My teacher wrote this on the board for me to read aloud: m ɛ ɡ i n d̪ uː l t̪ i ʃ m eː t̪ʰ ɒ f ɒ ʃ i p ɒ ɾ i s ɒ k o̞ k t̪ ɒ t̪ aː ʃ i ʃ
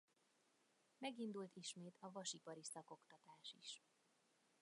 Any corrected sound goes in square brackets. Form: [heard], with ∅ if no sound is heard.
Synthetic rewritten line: m ɛ ɡ i n d̪ [u] l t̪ i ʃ m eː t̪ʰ ɒ [v] ɒ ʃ i p ɒ ɾ i s ɒ k o̞ k t̪ ɒ t̪ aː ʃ i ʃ